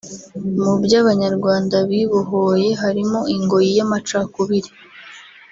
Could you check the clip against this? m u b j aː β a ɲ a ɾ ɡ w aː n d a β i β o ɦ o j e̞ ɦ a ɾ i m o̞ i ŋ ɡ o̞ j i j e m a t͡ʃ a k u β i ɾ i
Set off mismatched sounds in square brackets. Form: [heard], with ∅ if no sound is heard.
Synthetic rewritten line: m u b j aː β a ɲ a ɾ ɡ w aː n d a β i β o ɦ o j e̞ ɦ a ɾ i m o̞ i ŋ ɡ o̞ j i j [a] m a t͡ʃ a k u β i ɾ i